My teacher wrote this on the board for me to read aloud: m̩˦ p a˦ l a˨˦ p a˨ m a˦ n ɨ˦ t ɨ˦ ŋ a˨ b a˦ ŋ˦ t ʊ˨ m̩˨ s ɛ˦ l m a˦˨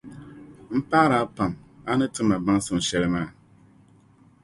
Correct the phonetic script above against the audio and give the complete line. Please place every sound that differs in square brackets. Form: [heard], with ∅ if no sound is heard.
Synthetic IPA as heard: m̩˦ p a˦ [ɾ] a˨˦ p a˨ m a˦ n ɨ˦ t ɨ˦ [m] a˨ b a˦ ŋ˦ [s] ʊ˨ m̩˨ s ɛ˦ [ɾ] m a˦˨